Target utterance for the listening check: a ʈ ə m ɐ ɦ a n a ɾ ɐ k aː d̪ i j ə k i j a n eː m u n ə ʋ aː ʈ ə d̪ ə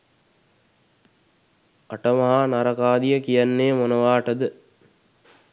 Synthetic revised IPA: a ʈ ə m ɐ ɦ a n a ɾ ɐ k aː d̪ i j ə k i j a nː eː m o n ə ʋ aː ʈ ə d̪ ə